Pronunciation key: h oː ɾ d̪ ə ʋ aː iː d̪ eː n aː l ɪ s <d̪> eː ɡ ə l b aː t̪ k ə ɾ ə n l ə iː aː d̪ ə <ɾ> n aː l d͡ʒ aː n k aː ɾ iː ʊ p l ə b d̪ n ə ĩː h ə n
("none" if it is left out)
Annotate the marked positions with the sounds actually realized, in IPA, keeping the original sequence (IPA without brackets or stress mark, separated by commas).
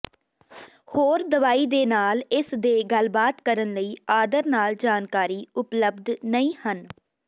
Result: d̪, ɾ